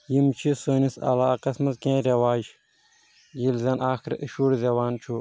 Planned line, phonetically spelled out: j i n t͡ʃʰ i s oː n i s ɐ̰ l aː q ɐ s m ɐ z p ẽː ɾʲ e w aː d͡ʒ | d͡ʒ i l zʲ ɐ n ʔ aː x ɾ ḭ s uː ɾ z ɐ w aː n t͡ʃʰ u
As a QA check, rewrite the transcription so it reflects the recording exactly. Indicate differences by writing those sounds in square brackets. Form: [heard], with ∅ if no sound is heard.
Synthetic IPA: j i [m] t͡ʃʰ i s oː n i s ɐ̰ l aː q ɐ s m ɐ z [k] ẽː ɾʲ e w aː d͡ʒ | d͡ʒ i l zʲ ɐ n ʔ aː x ɾ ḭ [ʃ] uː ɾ z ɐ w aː n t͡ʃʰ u